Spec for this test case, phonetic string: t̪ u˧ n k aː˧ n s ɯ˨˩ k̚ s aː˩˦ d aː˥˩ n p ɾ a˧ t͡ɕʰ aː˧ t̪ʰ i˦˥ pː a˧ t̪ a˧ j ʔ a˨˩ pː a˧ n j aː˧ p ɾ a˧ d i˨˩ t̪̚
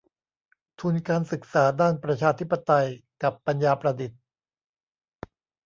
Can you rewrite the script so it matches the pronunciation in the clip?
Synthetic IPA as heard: t̪ʰ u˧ n k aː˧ n s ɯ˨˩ k̚ s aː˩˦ d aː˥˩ n p ɾ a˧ t͡ɕʰ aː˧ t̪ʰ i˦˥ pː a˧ t̪ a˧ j k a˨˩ pː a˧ n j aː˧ p ɾ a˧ d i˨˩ t̪̚